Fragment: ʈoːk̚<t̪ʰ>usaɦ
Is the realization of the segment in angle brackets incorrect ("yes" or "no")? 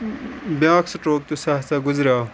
yes